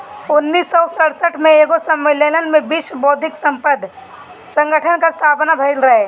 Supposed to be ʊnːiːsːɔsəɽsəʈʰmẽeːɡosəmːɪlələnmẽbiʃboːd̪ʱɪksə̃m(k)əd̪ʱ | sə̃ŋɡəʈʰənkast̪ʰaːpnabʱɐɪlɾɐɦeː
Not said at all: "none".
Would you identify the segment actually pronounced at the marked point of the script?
p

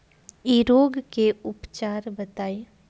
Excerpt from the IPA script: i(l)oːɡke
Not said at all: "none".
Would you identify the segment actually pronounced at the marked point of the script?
ɾ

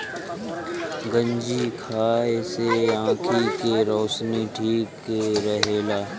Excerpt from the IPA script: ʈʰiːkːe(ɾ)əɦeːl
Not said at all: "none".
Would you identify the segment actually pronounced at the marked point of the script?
ɾ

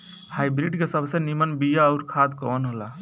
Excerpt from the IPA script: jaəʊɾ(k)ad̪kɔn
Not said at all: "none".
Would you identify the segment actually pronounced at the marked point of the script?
kʰ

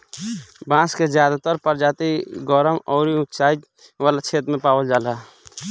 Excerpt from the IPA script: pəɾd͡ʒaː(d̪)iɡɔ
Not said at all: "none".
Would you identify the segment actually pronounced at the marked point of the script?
t̪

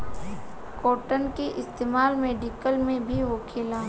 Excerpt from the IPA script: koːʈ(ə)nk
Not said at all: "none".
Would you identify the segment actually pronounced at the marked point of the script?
ə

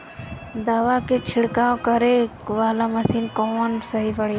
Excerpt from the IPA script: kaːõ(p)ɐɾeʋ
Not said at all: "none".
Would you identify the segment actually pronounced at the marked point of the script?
k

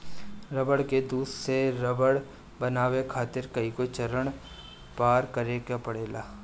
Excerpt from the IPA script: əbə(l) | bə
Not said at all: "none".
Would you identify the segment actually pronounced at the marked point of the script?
ɽ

